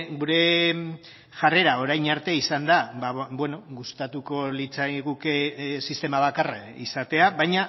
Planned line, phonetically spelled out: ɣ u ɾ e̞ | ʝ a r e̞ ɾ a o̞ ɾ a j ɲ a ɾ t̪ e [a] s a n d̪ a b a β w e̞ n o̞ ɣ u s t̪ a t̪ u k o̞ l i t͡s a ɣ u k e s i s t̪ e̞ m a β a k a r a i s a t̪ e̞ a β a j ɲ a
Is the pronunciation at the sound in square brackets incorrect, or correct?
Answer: incorrect